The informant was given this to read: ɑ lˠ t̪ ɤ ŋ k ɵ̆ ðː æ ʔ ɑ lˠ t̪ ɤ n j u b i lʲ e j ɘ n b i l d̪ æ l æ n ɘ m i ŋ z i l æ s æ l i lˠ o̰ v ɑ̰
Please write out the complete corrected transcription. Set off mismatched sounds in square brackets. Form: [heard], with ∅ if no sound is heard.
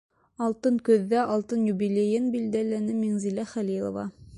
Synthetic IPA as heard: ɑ lˠ t̪ ɤ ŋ k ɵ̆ ðː æ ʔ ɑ lˠ t̪ ɤ n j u b i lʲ e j ɘ n b i l d̪ æ l æ n ɘ m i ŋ z i l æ [χ] æ l i lˠ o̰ v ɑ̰